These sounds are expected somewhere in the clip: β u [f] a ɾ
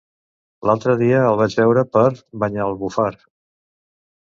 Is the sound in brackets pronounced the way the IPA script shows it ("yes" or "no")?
yes